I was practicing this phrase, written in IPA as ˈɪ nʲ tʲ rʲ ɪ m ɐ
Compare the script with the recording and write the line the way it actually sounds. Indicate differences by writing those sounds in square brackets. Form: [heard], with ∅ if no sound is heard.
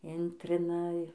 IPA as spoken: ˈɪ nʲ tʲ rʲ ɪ [n] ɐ